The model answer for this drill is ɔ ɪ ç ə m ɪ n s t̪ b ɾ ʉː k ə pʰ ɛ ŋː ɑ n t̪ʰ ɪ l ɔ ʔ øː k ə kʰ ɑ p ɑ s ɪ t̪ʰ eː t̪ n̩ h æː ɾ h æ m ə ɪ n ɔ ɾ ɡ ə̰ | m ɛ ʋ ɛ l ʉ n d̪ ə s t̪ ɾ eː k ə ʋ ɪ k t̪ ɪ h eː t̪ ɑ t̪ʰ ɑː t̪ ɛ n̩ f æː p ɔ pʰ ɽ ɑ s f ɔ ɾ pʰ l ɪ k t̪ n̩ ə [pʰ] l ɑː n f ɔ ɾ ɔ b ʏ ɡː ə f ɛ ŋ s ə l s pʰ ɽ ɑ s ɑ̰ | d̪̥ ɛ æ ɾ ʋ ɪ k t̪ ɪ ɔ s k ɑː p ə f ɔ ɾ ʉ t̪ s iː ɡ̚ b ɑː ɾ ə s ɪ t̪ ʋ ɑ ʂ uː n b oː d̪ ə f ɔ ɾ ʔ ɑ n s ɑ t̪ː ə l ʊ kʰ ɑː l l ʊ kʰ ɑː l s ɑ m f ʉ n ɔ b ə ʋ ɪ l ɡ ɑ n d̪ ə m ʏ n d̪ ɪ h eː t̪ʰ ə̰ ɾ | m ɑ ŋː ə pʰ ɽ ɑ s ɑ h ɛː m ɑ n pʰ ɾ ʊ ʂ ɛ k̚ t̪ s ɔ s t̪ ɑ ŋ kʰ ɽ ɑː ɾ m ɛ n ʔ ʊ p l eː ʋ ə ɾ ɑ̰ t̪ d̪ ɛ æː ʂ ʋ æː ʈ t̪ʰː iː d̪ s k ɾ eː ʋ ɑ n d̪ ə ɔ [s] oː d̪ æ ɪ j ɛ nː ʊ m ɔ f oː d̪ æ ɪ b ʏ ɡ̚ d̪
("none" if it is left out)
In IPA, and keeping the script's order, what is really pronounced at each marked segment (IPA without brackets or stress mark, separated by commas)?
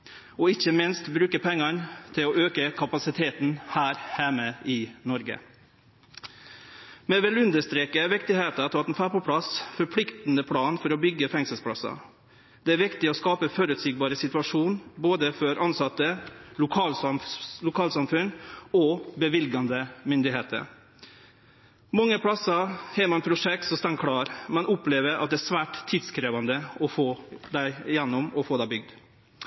pʰ, f